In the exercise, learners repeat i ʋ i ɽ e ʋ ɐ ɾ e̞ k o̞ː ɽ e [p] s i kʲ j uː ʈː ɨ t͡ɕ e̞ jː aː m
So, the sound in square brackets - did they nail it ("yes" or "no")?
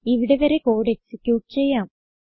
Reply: no